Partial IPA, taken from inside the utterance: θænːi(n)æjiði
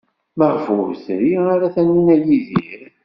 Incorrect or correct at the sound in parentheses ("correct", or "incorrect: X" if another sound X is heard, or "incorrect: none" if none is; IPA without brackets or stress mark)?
correct